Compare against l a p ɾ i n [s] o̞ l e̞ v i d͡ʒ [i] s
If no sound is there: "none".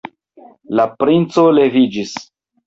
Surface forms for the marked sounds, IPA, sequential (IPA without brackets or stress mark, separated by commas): t͡s, i